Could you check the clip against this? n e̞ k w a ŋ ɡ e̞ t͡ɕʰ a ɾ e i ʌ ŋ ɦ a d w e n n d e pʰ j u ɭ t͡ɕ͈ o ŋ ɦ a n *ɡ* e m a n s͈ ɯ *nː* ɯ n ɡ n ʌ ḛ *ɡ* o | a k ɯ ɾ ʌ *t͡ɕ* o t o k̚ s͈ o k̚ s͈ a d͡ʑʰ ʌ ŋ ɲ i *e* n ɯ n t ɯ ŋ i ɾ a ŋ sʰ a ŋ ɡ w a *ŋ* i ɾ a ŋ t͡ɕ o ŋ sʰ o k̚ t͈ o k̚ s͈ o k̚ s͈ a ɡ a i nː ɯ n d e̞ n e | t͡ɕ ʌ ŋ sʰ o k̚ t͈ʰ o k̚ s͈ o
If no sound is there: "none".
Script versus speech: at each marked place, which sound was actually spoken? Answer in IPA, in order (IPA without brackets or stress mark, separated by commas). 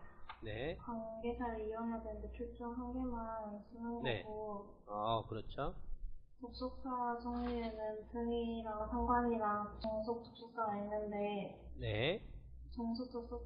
ɡ, n, ɡ, t͡ɕʰ, e, ɲ